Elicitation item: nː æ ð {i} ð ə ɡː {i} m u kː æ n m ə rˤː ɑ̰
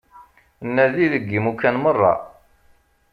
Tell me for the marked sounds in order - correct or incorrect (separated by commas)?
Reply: correct, correct